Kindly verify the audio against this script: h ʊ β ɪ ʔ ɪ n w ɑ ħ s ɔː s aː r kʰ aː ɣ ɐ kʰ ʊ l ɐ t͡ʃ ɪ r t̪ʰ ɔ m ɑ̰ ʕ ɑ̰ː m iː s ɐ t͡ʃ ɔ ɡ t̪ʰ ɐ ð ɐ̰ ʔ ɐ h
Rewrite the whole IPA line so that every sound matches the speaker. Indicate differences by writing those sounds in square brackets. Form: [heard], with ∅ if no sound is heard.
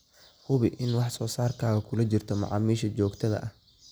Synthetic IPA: h ʊ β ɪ ʔ ɪ n w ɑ ħ s ɔː s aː r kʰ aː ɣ ɐ kʰ ʊ l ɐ t͡ʃ ɪ r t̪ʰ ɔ m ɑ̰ ʕ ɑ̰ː m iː [ʃ] ɐ t͡ʃ [ɔː] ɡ t̪ʰ ɐ ð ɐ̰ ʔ ɐ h